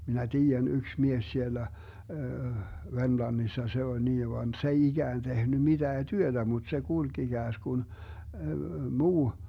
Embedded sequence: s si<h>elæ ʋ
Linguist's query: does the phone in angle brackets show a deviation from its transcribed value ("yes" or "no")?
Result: yes